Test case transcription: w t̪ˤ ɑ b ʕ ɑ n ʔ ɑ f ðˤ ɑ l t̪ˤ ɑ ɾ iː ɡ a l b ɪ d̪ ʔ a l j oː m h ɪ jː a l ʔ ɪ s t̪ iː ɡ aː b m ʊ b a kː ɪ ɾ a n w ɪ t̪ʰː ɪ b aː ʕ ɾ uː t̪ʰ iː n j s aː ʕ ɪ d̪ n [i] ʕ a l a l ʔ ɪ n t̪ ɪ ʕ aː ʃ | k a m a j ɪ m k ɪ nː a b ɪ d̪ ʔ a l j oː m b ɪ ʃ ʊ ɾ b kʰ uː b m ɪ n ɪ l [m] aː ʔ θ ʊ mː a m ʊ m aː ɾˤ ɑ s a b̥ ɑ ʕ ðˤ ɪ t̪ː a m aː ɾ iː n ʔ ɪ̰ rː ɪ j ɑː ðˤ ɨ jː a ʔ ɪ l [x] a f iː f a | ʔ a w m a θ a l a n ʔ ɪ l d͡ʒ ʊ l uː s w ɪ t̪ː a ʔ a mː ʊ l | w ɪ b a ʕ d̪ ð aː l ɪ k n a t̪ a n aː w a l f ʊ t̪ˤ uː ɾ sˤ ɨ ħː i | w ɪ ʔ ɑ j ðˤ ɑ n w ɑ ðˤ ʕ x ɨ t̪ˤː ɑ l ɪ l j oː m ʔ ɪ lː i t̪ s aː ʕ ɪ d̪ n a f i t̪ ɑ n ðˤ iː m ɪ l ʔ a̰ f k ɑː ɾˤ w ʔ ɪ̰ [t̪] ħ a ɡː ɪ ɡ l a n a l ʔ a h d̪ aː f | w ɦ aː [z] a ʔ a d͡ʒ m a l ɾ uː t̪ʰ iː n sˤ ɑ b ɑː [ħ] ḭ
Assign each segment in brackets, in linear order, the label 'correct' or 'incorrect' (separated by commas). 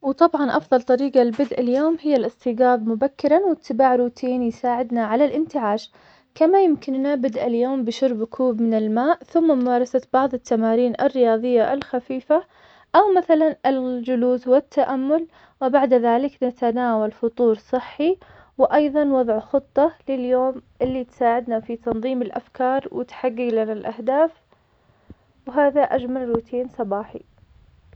incorrect, correct, correct, correct, incorrect, correct